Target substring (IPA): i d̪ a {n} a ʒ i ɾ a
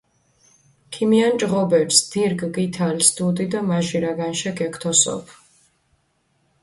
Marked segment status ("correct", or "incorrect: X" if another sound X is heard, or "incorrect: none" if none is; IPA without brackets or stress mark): incorrect: m